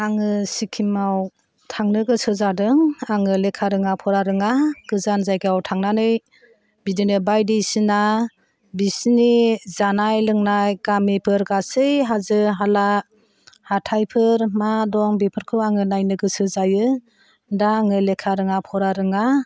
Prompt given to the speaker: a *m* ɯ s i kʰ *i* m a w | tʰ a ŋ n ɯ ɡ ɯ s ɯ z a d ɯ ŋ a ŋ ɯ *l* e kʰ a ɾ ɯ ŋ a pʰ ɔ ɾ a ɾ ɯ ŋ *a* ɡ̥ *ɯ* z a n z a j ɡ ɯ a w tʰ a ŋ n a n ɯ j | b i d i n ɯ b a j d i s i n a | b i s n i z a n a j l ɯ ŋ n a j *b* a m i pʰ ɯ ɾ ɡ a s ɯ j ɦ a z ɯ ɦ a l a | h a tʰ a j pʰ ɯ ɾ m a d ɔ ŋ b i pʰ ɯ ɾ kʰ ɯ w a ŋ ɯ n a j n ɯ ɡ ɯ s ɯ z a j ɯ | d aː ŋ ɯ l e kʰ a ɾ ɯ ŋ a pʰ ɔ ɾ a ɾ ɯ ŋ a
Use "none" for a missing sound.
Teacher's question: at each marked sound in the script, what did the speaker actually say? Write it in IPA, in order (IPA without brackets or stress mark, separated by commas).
ŋ, i, l, a, ɯ, ɡ